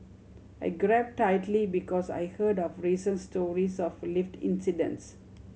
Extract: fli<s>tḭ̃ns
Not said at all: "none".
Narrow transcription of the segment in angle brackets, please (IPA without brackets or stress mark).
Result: f